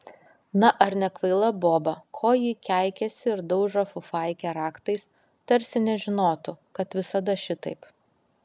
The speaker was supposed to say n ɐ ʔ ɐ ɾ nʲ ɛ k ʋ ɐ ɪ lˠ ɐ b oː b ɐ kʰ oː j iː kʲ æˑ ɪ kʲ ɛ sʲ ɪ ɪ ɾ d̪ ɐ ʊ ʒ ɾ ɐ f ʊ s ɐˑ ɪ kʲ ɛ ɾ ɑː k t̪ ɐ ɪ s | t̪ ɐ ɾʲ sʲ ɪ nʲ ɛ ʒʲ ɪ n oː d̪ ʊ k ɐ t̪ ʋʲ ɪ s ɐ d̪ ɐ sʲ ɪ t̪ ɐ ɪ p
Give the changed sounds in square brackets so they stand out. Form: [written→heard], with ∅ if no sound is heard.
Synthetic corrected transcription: n ɐ ʔ ɐ ɾ nʲ ɛ k ʋ ɐ ɪ lˠ ɐ b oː b ɐ kʰ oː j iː kʲ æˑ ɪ kʲ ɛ sʲ ɪ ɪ ɾ d̪ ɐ ʊ ʒ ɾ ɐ f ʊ [s→f] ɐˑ ɪ kʲ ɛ ɾ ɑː k t̪ ɐ ɪ s | t̪ ɐ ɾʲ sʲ ɪ nʲ ɛ ʒʲ ɪ n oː [d̪→t̪] ʊ k ɐ t̪ ʋʲ ɪ s ɐ d̪ ɐ [sʲ→ʃʲ] ɪ t̪ ɐ ɪ p